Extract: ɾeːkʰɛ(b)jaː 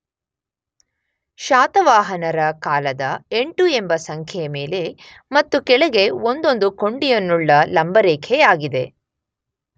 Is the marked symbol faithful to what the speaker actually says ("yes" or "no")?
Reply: no